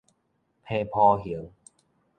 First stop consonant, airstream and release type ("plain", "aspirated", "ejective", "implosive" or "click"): aspirated